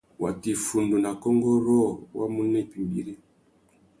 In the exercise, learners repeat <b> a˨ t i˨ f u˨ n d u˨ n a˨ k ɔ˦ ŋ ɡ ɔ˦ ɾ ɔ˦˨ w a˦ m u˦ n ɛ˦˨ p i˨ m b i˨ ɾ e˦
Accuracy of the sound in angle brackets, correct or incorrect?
incorrect